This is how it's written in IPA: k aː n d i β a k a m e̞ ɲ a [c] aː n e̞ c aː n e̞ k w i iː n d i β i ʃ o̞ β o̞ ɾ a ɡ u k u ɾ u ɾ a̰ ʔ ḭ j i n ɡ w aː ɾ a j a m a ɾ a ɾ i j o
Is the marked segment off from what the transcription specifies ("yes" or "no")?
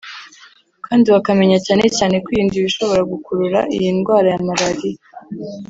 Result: no